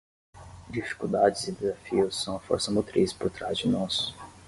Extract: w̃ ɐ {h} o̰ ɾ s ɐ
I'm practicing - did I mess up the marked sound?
yes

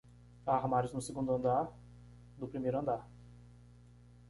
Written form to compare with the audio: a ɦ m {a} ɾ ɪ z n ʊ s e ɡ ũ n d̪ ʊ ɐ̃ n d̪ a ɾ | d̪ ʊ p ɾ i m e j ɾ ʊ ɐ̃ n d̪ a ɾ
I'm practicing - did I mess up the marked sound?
no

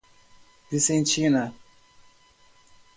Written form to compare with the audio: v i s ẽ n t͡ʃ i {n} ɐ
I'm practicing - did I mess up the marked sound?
no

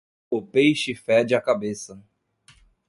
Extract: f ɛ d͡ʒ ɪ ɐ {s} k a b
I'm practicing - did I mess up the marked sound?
yes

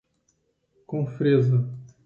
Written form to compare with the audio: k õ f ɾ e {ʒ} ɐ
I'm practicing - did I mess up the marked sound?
yes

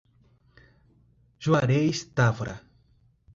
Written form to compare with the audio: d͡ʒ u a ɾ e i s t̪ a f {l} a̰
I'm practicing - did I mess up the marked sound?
yes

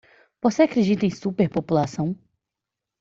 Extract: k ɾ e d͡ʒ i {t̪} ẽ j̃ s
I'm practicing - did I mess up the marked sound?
no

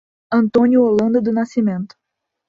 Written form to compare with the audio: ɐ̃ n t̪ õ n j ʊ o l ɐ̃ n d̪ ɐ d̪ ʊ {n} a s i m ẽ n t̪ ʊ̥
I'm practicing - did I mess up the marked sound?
no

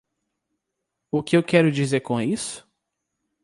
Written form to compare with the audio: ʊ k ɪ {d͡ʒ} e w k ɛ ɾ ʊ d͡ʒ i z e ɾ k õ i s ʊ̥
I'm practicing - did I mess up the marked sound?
yes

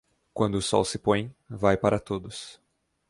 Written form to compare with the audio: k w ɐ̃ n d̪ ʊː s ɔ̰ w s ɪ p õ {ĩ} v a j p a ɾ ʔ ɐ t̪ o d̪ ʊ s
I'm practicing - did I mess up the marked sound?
yes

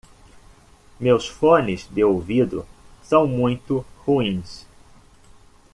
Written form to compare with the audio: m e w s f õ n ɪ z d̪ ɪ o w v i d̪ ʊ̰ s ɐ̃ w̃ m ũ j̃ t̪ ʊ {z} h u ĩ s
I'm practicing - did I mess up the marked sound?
yes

